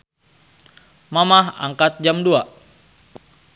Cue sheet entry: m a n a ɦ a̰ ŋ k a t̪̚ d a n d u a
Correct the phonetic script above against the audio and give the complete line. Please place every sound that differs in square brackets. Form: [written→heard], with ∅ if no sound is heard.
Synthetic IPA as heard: m a [n→m] a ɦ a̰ ŋ k a t̪̚ [d→d͡ʒ] a [n→m] d u a